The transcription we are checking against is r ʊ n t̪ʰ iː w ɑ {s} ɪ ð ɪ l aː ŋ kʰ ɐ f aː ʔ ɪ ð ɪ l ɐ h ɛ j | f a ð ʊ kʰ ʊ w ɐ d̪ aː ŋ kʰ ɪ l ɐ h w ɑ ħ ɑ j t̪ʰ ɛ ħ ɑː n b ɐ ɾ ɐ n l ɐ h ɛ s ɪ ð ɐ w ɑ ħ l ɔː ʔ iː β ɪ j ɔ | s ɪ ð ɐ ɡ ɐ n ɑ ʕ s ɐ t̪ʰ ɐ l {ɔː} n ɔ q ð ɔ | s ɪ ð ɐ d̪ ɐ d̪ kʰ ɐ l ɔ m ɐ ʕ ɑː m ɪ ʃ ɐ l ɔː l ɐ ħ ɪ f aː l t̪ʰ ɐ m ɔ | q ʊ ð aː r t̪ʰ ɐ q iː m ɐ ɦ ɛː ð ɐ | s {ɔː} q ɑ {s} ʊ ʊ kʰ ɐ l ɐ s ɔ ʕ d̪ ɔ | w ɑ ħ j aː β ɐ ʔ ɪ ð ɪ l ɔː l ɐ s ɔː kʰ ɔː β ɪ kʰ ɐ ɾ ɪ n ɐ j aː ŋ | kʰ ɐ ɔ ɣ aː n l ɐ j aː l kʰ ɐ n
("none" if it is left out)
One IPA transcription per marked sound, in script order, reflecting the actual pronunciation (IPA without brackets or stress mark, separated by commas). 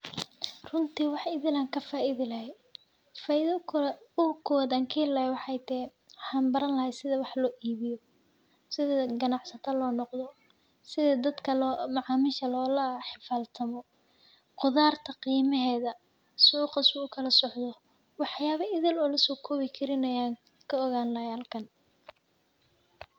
ħ, ɔː, uː, s